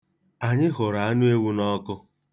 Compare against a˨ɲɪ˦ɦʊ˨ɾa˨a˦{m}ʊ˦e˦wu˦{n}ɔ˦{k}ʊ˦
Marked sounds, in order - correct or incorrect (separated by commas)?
incorrect, correct, correct